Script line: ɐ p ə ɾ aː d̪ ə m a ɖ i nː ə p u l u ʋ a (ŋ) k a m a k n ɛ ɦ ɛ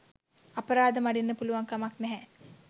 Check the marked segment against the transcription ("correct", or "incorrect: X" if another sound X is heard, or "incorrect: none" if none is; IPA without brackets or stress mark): correct